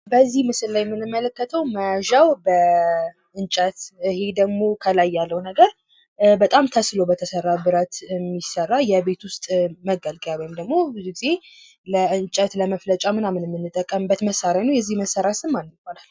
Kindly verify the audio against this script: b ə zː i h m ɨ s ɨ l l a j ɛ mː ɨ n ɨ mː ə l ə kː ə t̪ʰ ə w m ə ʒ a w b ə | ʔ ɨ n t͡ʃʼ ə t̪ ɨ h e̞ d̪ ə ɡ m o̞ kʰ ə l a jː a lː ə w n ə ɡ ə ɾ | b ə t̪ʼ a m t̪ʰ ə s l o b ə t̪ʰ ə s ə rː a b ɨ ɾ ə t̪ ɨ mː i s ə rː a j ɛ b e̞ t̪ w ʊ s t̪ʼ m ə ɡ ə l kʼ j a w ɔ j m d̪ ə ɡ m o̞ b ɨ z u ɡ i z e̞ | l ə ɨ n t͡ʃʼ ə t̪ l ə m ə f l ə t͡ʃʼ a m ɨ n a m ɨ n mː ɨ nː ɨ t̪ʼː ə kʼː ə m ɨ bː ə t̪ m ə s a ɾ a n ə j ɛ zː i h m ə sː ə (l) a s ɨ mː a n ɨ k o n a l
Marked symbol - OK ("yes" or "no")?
no